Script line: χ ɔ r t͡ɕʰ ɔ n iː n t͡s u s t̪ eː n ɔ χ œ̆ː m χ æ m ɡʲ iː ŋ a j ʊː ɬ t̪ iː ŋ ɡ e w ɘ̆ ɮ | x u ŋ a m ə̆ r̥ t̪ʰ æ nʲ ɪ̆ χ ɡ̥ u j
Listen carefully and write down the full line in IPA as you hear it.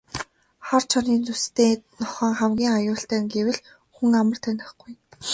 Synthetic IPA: χ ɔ r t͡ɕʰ ɔ n iː n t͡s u s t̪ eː n ɔ χ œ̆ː ŋ χ æ m ɡʲ iː ŋ a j ʊː ɬ t̪ æː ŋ ɡ e w ɘ̆ ɮ | x u ŋ a m ə̆ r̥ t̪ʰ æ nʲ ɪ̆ χ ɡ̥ u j

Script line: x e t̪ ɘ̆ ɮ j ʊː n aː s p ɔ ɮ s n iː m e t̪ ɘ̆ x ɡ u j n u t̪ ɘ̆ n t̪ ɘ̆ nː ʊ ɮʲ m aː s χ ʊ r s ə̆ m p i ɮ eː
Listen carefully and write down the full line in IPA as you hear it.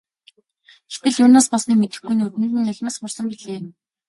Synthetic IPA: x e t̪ ɘ̆ ɮ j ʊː n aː s p ɔ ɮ s n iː m e t̪ ɘ̆ x ɡ u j n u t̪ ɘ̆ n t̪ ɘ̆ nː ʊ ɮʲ m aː s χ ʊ r s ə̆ m p i ɮ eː

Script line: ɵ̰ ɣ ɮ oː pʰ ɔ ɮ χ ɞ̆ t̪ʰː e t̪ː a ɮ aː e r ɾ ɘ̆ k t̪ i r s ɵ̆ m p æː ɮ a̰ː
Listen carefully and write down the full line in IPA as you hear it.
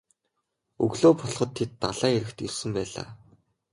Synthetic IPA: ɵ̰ ɣ ɮ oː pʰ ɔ ɮ χ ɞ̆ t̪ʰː e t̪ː a ɮ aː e ɾ ɘ̆ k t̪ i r s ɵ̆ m p æː ɮ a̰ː

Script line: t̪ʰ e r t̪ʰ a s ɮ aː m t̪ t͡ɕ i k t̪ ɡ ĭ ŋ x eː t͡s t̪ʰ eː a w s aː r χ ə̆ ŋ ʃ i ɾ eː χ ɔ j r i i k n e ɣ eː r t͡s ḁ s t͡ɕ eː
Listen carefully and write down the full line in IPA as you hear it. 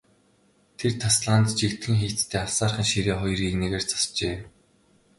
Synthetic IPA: t̪ʰ e r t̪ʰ a s ɮ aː n t̪ t͡ɕ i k t̪ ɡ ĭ ŋ x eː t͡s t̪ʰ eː a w s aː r χ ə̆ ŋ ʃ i ɾ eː χ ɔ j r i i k n e ɣ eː r t͡s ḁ s t͡ɕ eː

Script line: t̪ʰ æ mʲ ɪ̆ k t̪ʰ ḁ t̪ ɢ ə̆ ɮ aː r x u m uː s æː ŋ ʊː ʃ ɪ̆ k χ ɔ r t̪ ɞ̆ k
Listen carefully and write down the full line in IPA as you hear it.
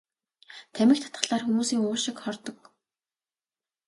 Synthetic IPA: t̪ʰ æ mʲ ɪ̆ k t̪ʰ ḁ t̪ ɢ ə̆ ɮ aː r x u m uː s iː ŋ ʊː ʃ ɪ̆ k χ ɔ r t̪ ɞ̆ k

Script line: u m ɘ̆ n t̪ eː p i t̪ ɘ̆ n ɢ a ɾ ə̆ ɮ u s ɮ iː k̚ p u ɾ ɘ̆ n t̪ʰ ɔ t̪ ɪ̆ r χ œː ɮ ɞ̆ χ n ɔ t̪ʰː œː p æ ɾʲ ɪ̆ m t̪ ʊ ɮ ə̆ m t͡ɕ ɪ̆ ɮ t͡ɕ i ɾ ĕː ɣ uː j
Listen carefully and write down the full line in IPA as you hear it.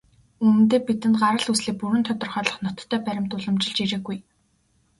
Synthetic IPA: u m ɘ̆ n t̪ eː p i t̪ ɘ̆ n ɢ a ɾ ə̆ ɮ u s ɮ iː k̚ p u ɾ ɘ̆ n t̪ʰ ɔ t̪ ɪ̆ r χ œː ɮ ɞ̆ χ n ɔ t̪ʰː œː p æ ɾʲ ɪ̆ m t̪ ʊ ɮ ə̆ m t͡ɕ ɪ̆ ɮ t͡ɕ i ɾ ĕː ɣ u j

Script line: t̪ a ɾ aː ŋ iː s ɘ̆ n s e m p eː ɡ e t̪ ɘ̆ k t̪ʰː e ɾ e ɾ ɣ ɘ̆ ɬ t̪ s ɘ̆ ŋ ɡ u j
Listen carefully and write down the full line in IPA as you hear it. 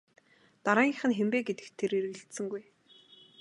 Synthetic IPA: t̪ a ɾ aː ŋ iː χ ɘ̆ n x e m p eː ɡ e t̪ ɘ̆ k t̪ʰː e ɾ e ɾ ɣ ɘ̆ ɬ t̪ s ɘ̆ ŋ ɡ u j

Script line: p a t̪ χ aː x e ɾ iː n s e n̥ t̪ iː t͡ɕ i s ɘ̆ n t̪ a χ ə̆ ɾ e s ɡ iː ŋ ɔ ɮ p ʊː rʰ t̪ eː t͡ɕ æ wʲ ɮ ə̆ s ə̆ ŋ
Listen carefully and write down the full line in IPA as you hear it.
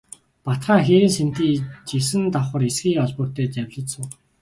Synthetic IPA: p a t̪ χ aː x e ɾ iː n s e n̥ t̪ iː t͡ɕ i s ɘ̆ n t̪ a χ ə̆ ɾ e s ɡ iː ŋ ɔ ɮ p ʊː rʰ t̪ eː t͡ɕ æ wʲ ɮ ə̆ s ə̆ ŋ

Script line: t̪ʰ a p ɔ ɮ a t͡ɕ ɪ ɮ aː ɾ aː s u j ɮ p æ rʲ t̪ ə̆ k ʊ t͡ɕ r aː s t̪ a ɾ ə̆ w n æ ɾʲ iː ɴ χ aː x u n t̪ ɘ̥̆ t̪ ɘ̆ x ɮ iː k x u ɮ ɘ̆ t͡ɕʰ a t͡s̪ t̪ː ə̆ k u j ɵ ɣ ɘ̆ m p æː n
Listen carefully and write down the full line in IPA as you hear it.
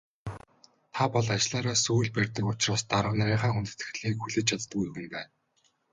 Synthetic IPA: t̪ʰ a p ɔ ɮ a t͡ɕ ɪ ɮ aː ɾ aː s u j ɮ p æ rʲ t̪ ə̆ k ʊ t͡ɕ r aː s t̪ a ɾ ə̆ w n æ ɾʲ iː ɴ χ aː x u n t̪ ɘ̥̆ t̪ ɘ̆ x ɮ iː k x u ɮ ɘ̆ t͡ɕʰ a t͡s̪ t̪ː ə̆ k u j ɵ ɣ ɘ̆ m p æː n

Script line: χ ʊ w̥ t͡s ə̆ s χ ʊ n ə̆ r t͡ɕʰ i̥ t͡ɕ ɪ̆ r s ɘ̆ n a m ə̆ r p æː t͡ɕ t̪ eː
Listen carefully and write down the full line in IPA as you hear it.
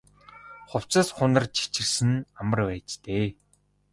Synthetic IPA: χ ʊ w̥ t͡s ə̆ s χ ʊ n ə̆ r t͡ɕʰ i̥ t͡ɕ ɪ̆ r s ɘ̆ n a m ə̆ r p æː t͡ɕ t̪ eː

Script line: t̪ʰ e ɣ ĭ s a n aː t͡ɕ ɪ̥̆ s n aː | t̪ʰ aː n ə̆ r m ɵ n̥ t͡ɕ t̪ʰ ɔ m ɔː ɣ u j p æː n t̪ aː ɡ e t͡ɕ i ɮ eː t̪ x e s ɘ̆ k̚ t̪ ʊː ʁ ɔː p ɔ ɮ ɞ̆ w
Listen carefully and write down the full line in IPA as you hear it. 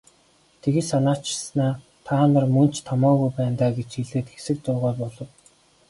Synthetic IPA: t̪ʰ e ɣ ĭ s a n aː t͡ɕ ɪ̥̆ s n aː | t̪ʰ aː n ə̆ r m ɵ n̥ t͡ɕ t̪ʰ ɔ m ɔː ɣ u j p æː n t̪ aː ɡ e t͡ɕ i ɮ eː t̪ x e s ɘ̆ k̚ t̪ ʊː ʁ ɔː p ɔ ɮ ɞ̆ w

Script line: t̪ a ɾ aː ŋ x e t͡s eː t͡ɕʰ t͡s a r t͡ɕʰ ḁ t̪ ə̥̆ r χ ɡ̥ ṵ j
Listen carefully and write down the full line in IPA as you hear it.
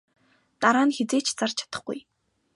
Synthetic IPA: t̪ a ɾ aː n x e t͡s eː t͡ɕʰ t͡s a r t͡ɕʰ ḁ t̪ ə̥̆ χ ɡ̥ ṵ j

